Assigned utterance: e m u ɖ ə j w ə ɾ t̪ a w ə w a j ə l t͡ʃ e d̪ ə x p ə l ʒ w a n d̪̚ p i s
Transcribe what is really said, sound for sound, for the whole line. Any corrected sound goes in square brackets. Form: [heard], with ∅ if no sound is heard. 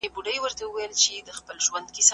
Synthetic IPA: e [b] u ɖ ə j w ə ɾ t̪ a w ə w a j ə l t͡ʃ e d̪ ə x p ə l ʒ w a n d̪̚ [k] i s

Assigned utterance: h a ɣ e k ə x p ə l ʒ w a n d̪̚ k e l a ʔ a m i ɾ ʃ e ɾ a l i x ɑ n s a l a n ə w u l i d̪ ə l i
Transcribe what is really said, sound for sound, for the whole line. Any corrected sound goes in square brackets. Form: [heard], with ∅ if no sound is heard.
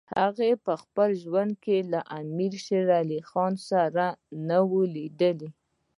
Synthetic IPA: h a ɣ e [p] ə x p ə l ʒ w a n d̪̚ k e l a ʔ a m i ɾ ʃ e ɾ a l i x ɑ n s a [ɾ] a n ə w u l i d̪ ə l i

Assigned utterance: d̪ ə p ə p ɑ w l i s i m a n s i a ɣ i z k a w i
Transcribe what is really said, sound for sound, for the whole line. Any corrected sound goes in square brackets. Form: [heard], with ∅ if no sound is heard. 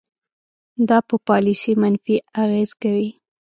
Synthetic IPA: d̪ [ɑ] p ə p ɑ [∅] l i s i m a n [f] i a ɣ [e] z k a w i

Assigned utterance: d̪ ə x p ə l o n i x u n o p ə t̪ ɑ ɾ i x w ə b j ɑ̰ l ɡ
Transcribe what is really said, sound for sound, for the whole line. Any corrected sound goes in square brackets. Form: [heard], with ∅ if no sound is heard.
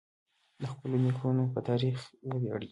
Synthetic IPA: d̪ ə x p ə l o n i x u n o p ə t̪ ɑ ɾ i x w ə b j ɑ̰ [ɽ] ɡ

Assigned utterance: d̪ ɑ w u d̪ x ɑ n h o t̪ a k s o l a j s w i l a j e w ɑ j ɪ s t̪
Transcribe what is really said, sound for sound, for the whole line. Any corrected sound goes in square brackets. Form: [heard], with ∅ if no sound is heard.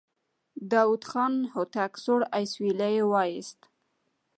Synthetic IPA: d̪ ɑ w u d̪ x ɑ n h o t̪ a k s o [ɽ] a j s w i l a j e w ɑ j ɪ s t̪

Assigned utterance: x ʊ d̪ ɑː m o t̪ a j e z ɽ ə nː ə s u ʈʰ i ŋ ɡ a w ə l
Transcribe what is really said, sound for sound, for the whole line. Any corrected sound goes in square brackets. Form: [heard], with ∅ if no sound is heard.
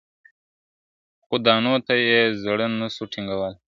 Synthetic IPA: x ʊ d̪ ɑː [n] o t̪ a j e z ɽ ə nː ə s u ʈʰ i ŋ ɡ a w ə l

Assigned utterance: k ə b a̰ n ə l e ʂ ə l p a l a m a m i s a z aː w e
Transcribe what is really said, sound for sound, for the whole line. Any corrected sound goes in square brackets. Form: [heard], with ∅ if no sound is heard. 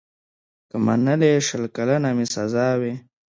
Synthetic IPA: k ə [m] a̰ n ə l e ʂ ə l [k] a l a [n] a m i s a z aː w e

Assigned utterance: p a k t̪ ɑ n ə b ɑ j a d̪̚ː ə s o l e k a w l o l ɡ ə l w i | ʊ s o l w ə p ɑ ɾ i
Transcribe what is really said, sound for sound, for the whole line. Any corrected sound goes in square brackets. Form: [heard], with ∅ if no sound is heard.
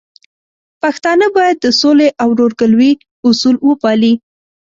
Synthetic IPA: p a [x] t̪ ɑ n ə b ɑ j a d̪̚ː ə s o l e [ʔ] a w [ɾ] o [ɾ] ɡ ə l w i | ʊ s [u] l w ə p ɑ [l] i

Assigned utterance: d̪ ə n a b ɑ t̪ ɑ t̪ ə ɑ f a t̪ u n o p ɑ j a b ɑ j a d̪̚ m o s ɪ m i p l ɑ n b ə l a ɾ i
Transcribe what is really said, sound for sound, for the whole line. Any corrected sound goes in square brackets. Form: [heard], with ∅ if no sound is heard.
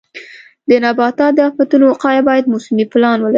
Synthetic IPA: d̪ ə n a b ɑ t̪ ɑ [d̪] ə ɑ f a t̪ u n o [q] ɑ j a b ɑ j a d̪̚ m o s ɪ m i p l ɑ n [w] ə l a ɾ i

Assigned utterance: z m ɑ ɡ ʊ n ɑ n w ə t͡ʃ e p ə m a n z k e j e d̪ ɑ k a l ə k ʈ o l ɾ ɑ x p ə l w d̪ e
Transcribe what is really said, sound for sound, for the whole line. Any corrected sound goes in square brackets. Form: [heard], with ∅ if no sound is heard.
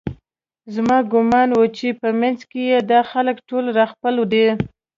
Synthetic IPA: z m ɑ ɡ ʊ [m] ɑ n w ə t͡ʃ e p ə m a n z k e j e d̪ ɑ [x] a l ə k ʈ o l ɾ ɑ x p ə l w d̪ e

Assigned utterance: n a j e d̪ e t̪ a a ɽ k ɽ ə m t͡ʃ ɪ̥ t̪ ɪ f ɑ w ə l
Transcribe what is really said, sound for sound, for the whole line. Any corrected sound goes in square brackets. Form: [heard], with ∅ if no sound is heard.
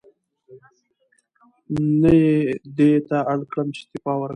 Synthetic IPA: n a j e d̪ e t̪ a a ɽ k ɽ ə m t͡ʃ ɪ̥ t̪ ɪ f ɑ w ə [ɾ]

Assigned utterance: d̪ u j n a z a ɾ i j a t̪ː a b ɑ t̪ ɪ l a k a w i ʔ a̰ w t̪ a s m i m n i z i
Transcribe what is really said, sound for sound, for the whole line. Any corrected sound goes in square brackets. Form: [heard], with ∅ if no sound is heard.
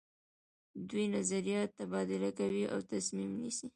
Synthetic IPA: d̪ u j n a z a ɾ i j [ɑ] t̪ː a b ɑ [d̪] ɪ l a k a w i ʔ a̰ w t̪ a s m i m n i [s] i

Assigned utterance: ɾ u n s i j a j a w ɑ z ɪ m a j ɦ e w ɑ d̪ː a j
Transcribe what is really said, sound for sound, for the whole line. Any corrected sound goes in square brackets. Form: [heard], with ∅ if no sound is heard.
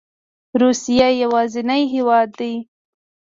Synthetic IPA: ɾ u [∅] s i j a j a w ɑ z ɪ [n] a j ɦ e w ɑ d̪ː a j

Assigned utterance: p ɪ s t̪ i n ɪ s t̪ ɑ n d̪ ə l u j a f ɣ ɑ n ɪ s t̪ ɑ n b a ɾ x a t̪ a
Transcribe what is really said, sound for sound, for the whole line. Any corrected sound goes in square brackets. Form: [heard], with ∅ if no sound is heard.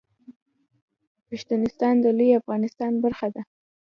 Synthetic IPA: p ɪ [ʃ] t̪ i n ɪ s t̪ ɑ n d̪ ə l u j a f ɣ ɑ n ɪ s t̪ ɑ n b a ɾ x a [d̪] a

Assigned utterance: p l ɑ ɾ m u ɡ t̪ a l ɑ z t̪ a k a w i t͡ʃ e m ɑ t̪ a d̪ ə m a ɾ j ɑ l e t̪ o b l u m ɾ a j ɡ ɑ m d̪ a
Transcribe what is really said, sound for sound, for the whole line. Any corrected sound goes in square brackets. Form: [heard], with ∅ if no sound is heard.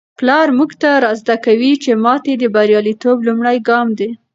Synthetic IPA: p l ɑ ɾ m u ɡ t̪ a [ɾ] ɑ z [d̪] a k a w i t͡ʃ e m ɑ t̪ [e] d̪ ə [b] a ɾ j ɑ l [i] t̪ o b l u m [ɽ] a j ɡ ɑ m d̪ [e]

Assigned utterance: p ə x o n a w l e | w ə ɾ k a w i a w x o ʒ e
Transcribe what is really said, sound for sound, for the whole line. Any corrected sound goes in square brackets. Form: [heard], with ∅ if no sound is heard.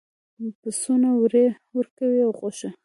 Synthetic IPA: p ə [s] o n a w [ɾ] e | w ə ɾ k a w i a w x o [ʃ] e

